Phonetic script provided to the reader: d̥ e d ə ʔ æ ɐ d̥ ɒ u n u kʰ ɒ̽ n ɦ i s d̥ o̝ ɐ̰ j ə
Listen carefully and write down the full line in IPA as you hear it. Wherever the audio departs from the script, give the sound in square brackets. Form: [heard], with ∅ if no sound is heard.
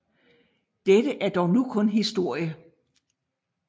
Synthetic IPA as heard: d̥ e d ə ʔ æ ɐ d̥ ɒ [ʊ] n u kʰ [ɔ̽] n ɦ i s d̥ o̝ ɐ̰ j ə

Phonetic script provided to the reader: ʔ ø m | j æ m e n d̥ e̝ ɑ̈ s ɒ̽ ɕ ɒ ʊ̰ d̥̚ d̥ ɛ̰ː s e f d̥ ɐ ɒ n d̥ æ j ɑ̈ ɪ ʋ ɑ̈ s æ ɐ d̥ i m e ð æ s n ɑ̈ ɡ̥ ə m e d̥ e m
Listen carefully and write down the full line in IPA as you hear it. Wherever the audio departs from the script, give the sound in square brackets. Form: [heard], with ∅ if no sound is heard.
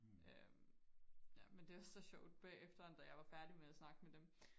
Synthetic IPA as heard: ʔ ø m | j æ m e n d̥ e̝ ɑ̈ s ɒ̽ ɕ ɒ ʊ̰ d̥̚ [b̥] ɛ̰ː [∅] e f d̥ ɐ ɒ n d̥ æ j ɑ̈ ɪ ʋ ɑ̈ [f] æ ɐ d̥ i m e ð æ s n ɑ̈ ɡ̥ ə m e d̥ e m

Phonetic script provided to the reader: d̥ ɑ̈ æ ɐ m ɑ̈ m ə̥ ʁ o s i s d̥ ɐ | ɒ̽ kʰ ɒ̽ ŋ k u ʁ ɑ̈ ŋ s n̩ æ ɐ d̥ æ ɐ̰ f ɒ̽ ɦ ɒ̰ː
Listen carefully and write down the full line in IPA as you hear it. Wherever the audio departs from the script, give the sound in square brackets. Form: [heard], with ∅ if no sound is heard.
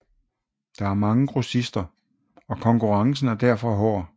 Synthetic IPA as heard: d̥ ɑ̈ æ ɐ m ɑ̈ [ŋ] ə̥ ʁ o s i s d̥ ɐ | ɒ̽ kʰ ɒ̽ ŋ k u ʁ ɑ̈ ŋ s n̩ æ ɐ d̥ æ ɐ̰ f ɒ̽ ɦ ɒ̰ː

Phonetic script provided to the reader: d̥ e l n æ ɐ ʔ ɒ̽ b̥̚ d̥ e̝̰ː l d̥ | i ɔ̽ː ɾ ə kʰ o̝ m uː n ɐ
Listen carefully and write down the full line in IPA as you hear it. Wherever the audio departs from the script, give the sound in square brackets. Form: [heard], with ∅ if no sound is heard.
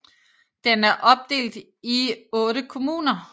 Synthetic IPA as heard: d̥ e [∅] n æ ɐ ʔ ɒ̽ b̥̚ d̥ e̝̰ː l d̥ | i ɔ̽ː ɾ ə kʰ o̝ m uː n ɐ

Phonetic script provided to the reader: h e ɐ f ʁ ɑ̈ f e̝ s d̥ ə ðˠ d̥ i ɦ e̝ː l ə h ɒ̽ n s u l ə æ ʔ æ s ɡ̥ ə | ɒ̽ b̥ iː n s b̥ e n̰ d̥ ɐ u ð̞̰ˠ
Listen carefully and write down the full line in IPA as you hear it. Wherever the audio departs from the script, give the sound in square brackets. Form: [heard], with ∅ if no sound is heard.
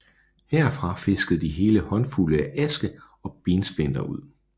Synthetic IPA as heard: h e ɐ f ʁ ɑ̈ f e̝ s [ɡ̥] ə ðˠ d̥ i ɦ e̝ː l ə h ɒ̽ n [f] u l ə æ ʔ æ s ɡ̥ ə | ɒ̽ b̥ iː n s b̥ e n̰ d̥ ɐ u ð̞̰ˠ

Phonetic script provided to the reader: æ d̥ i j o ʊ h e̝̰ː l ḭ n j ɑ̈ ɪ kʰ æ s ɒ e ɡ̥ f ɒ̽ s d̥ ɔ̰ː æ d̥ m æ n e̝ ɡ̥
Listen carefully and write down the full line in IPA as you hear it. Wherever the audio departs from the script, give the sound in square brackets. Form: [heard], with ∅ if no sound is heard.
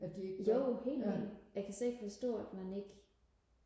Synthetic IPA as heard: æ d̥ i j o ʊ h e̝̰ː l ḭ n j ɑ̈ ɪ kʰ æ s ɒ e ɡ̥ f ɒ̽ s d̥ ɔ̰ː æ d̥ m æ n e̝ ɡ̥

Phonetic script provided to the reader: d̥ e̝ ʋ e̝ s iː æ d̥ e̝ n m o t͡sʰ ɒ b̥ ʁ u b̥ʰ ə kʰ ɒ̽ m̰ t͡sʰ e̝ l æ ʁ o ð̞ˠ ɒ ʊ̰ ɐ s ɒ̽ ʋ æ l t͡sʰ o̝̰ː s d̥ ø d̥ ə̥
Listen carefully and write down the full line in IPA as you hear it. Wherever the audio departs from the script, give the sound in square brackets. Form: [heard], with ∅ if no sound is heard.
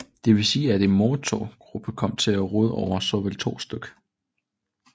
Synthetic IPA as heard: d̥ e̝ ʋ e̝ s iː æ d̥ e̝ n m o t͡sʰ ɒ [ɡ̥] ʁ u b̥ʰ ə kʰ ɒ̽ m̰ t͡sʰ e̝ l æ ʁ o ð̞ˠ ɒ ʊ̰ ɐ s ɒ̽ ʋ [e] l t͡sʰ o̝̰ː s d̥ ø [ɡ̥] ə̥

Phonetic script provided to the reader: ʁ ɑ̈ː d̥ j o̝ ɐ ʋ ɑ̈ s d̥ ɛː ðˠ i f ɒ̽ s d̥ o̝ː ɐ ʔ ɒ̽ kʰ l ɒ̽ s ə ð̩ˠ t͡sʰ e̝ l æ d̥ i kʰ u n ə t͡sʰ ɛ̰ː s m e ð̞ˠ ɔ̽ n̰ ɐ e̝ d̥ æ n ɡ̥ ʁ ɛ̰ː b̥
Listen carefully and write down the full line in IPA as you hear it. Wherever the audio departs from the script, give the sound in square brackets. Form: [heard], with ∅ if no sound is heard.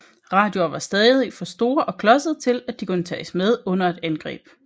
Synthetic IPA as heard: ʁ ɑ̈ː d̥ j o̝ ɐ ʋ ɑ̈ s d̥ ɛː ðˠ i f ɒ̽ s d̥ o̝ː ɐ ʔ ɒ̽ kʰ l ɒ̽ s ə ð̩ˠ t͡sʰ e̝ l æ d̥ i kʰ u n ə t͡sʰ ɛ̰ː s m e ð̞ˠ ɔ̽ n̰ ɐ e̝ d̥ æ n ɡ̥ ʁ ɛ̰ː b̥

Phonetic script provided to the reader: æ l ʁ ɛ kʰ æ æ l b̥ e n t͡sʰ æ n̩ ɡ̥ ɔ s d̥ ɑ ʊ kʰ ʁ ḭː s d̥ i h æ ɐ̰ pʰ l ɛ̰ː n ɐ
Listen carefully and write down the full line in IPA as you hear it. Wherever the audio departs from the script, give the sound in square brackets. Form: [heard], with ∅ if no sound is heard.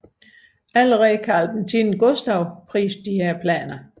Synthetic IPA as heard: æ l ʁ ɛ kʰ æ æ l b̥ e n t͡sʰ [i] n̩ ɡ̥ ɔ s d̥ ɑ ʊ [pʰ] ʁ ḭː s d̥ i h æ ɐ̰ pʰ l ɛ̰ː n ɐ

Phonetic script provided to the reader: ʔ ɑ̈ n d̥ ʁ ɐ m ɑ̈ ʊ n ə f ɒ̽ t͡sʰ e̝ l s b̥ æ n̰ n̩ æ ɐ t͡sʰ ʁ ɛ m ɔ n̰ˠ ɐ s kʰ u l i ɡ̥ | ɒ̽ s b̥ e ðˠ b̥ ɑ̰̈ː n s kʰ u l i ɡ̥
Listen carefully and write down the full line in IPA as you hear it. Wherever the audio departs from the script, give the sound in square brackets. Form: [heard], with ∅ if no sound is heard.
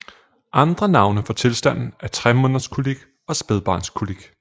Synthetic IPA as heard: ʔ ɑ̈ n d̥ ʁ ɐ [n] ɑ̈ ʊ n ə f ɒ̽ t͡sʰ e̝ l s [d̥] æ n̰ n̩ æ ɐ t͡sʰ ʁ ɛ m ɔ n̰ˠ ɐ s kʰ u l i ɡ̥ | ɒ̽ s b̥ e ðˠ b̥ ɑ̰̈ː n s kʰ u l i ɡ̥

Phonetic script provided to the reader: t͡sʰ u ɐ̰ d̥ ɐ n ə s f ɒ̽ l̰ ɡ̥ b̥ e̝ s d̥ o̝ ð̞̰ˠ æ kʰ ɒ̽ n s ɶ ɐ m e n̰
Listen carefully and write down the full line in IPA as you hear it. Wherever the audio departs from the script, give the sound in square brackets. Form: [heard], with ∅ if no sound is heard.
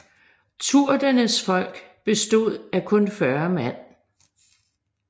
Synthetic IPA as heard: t͡sʰ u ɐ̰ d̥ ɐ n ə s f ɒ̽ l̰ ɡ̥ b̥ e̝ s d̥ o̝ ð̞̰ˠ æ kʰ [ɔ̽] n [f] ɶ ɐ m [æ] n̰

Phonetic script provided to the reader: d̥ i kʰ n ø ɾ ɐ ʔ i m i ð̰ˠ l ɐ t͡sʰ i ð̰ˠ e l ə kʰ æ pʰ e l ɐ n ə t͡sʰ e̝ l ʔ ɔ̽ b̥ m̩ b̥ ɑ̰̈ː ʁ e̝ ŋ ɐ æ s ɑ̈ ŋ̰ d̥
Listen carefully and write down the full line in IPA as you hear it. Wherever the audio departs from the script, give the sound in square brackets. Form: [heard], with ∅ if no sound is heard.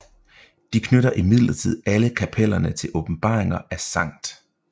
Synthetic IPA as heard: d̥ i kʰ n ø ɾ ɐ ʔ i m i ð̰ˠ l ɐ t͡sʰ i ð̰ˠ [æ] l ə kʰ æ pʰ e l ɐ n ə t͡sʰ e̝ l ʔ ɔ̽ b̥ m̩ b̥ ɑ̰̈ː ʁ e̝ ŋ ɐ æ s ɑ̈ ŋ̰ d̥

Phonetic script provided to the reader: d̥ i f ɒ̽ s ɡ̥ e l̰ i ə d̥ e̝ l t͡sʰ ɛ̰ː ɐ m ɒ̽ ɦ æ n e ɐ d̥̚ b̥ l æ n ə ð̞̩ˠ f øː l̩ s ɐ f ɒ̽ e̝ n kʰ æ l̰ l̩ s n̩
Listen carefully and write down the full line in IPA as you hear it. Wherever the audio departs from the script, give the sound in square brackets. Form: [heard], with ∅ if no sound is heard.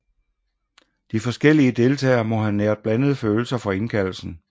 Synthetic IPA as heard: d̥ i f ɒ̽ s ɡ̥ e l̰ i ə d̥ e̝ l t͡sʰ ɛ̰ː ɐ m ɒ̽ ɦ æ n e ɐ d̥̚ b̥ l æ n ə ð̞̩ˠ f øː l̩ s ɐ f ɒ̽ e̝ n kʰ æ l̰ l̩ s n̩

